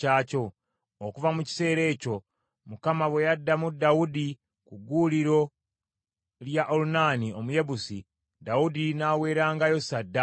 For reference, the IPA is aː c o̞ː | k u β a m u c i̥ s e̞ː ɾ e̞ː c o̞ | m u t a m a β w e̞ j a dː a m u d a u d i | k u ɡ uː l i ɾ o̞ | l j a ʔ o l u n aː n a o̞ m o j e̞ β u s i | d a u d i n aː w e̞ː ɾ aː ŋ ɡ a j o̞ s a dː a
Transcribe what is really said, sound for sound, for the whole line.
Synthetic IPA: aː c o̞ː | k u v a m u c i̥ s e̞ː ɾ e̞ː c o̞ | m u k a m a β w e̞ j a dː a m u d a u d i | k u ɡ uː l i ɾ o̞ | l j a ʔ o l u n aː n i o̞ m u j e̞ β u s i | d a u d i n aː w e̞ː ɾ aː ŋ ɡ a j o̞ s a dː a

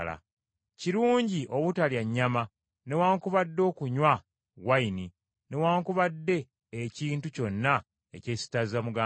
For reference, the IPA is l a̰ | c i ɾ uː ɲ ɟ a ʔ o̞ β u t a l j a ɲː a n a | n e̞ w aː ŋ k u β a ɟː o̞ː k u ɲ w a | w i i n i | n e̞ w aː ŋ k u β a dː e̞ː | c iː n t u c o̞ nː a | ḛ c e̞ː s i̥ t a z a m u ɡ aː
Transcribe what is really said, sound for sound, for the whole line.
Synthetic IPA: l a̰ | c i ɾ uː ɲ ɟ i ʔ o̞ β u t a l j a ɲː a m a | n e̞ w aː ŋ k u β a dː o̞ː k u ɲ w a | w a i n i | n e̞ w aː ŋ k u β a dː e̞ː | c iː n t u c o̞ nː a | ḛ c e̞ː s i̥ t a z a m u ɡ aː

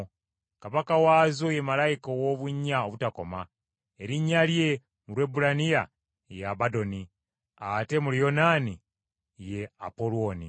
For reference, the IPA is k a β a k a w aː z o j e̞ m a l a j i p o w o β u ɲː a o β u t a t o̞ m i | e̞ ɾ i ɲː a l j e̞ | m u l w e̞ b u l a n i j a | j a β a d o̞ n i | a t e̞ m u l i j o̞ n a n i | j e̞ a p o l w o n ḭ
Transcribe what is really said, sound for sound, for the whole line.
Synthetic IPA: k a β a k a w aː z o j e̞ m a l a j i k o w o β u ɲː a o β u t a k o̞ m a | e̞ ɾ i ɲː a l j e̞ | m u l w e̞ b u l a n i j a | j a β a d o̞ n i | a t e̞ m u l i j o̞ n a n i | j e̞ a p o l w o n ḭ

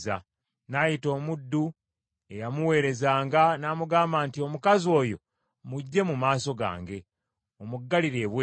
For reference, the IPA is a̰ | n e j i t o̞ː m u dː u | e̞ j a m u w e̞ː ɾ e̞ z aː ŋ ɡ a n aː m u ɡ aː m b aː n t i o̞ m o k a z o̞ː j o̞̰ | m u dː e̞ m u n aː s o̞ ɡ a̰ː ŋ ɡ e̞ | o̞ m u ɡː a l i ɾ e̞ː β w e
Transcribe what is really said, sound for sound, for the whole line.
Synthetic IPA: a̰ | n a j i t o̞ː m u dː u | e̞ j a m u w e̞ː ɾ e̞ z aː ŋ ɡ a n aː m u ɡ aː m b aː n t i o̞ m u k a z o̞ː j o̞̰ | m u ɟː e̞ m u m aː s o̞ ɡ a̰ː ŋ ɡ e̞ | o̞ m u ɡː a l i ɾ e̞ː β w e

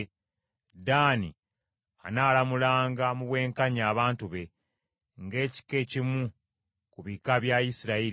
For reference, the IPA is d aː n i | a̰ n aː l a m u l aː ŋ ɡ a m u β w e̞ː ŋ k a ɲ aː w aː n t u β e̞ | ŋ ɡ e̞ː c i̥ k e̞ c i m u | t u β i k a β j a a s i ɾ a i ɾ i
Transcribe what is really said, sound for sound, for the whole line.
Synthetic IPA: d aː n i | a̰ n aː l a m u l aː ŋ ɡ a m u β w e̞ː ŋ k a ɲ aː β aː n t u β e̞ | ŋ ɡ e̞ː c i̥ k e̞ c i m u | k u β i k a β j a i s i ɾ a i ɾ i

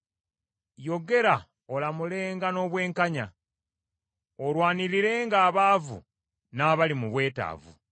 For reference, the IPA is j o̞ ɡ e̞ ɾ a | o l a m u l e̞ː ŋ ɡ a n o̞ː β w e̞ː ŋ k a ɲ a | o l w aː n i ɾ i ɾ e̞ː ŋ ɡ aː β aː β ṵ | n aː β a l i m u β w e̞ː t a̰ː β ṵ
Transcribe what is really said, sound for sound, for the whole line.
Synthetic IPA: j o̞ ɡ e̞ ɾ a | o l a m u l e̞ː ŋ ɡ a n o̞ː β w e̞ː ŋ k a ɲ a | o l w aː n i ɾ i ɾ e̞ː ŋ ɡ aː β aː v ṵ | n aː β a l i m u β w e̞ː t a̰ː v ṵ

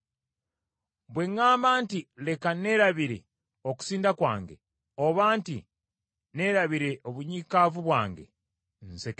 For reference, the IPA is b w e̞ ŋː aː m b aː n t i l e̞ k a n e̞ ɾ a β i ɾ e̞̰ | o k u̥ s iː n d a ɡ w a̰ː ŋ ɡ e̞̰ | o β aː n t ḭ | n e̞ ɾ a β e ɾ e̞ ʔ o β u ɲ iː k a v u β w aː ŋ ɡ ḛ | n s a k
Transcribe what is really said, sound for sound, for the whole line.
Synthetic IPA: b w e̞ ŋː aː m b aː n t i l e̞ k a n e̞ ɾ a β i ɾ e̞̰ | o k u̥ s iː n d a k w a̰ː ŋ ɡ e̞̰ | o β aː n t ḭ | n e̞ ɾ a β i ɾ e̞ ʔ o β u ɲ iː k a v u β w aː ŋ ɡ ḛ | n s e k

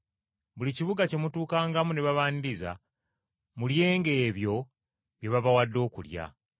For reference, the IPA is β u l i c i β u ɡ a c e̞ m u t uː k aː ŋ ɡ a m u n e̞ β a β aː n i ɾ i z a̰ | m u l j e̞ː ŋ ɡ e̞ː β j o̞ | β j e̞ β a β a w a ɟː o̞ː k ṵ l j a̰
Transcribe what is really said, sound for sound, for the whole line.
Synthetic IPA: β u l i c i β u ɡ a c e̞ m u t uː k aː ŋ ɡ a m u n e̞ β a β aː n i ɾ i z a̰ | m u l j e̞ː ŋ ɡ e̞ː β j o̞ | β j e̞ β a β a w a dː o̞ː k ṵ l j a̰

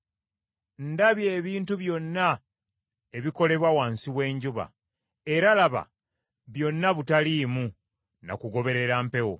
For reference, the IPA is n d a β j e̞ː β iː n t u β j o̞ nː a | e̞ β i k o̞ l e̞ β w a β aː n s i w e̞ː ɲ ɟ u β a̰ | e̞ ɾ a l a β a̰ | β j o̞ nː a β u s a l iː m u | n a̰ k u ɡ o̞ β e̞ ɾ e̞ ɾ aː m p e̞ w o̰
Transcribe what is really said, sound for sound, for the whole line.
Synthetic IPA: n d a β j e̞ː β iː n t u β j o̞ nː a | e̞ β i k o̞ l e̞ β w a w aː n s i w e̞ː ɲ ɟ u β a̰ | e̞ ɾ a l a β a̰ | β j o̞ nː a β u t a l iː m u | n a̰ k u ɡ o̞ β e̞ ɾ e̞ ɾ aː m p e̞ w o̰

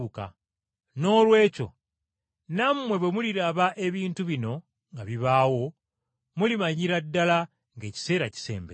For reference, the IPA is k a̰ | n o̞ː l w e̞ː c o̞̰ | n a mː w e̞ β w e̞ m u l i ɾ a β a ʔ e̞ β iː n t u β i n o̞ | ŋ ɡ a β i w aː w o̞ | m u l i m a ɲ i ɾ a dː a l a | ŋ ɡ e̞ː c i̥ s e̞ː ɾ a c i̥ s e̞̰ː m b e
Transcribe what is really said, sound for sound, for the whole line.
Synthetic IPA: k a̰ | n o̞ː l w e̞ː c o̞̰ | n a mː w e̞ β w e̞ m u l i ɾ a β a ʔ e̞ β iː n t u β i n o̞ | ŋ ɡ a β i β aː w o̞ | m u l i m a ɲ i ɾ a dː a l a | ŋ ɡ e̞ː c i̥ s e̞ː ɾ a c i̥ s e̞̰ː m b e

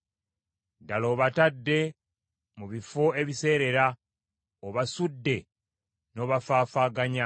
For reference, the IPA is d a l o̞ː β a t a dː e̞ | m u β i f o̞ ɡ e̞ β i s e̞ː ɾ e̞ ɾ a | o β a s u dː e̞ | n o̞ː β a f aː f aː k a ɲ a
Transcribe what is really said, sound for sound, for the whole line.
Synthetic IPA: d a l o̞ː β a t a dː e̞ | m u β i f o̞ e̞ β i s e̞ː ɾ e̞ ɾ a | o β a s u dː e̞ | n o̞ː β a f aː f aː ɡ a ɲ a

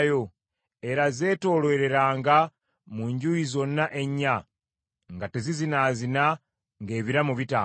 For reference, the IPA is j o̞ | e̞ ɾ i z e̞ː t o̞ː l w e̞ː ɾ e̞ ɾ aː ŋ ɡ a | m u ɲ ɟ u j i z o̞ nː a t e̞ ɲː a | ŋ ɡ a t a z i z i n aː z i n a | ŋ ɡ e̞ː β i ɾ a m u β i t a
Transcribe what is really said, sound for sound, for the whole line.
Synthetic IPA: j o̞ | e̞ ɾ a z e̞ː t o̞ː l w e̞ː ɾ e̞ ɾ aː ŋ ɡ a | m u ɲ ɟ u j i z o̞ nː a ʔ e̞ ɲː a | ŋ ɡ a t e z i z i n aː z i n a | ŋ ɡ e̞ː β i ɾ a m u β i t a

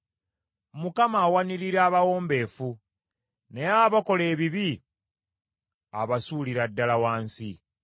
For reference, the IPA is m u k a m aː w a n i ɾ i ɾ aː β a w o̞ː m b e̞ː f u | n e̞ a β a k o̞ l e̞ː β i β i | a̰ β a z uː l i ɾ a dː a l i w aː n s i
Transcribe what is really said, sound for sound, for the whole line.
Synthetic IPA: m u k a m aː w a n i ɾ i ɾ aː β a w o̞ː m b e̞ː f u | n e̞ a β a k o̞ l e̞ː β i β i | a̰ β a s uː l i ɾ a dː a l a w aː n s i

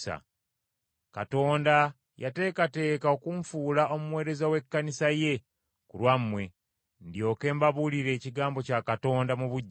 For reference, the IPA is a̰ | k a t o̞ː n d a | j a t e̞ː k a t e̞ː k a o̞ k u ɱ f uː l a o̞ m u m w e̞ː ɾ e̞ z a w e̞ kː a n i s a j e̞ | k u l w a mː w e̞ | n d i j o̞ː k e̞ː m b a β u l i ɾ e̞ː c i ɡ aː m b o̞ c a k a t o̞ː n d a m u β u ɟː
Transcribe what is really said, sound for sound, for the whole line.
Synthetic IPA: a̰ | k a t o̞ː n d a | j a t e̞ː k a t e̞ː k a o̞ k u ɱ f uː l a o̞ m u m w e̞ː ɾ e̞ z a w e̞ kː a n i s a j e̞ | k u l w a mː w e̞ | n d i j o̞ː k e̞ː m b a β u l i ɾ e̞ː c i ɡ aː m b o̞ c a k a t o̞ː n d a m u β u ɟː

